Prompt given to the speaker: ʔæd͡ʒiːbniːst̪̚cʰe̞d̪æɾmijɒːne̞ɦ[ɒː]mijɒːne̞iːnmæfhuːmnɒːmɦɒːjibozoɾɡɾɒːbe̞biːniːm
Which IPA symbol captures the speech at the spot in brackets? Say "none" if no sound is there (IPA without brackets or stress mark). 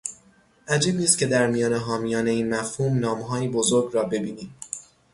ɒː